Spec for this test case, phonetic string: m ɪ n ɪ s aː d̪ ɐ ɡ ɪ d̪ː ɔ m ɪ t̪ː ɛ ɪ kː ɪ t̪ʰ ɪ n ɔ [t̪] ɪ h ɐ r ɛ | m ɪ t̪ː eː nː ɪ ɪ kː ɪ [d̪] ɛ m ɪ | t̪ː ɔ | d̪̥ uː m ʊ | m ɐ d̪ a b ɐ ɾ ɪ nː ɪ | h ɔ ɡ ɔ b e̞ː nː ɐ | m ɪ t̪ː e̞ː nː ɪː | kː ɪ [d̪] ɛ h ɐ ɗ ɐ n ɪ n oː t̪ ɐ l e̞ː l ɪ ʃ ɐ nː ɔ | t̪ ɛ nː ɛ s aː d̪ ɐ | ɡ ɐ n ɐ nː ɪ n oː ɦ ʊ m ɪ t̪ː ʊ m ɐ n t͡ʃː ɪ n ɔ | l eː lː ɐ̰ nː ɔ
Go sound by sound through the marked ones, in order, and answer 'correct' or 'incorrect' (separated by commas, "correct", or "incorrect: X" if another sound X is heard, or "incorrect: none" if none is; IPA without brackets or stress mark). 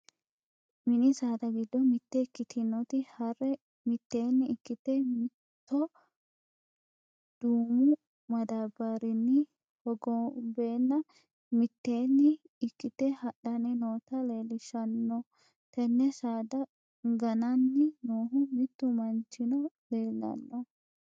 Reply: correct, incorrect: t̪, incorrect: t̪